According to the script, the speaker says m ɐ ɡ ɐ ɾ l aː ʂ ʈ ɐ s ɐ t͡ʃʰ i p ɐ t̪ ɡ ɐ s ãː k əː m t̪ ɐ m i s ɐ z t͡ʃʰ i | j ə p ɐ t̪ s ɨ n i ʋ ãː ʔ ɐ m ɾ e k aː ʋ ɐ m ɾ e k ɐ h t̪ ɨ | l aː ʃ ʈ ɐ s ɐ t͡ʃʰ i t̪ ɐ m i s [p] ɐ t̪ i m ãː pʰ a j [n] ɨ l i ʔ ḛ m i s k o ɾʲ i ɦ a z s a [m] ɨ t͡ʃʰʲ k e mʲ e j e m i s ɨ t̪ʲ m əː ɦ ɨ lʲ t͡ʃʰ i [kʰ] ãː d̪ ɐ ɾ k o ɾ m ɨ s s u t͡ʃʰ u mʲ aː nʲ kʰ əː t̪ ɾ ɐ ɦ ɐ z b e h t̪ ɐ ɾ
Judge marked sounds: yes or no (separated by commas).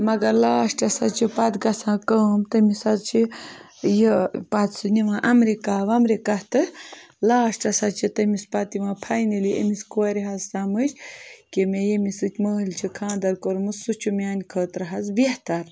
yes, yes, yes, yes